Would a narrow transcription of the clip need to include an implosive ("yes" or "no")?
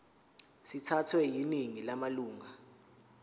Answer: no